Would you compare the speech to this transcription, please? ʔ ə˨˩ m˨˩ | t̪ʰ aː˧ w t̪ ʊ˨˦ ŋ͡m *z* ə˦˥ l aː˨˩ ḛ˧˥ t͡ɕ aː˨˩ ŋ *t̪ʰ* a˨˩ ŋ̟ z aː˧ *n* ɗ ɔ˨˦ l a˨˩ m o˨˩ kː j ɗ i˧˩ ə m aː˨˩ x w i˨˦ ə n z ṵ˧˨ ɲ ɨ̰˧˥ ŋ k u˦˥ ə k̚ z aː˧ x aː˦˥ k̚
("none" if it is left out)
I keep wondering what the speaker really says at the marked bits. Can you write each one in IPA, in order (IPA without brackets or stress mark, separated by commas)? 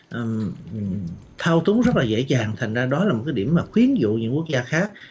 z, t̪ʰ, none